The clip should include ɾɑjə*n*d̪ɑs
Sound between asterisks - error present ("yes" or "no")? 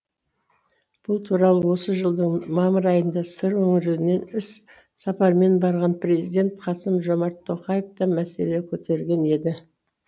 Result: no